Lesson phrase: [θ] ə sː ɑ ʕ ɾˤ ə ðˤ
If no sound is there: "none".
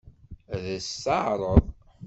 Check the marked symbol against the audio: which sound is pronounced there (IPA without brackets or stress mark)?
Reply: ð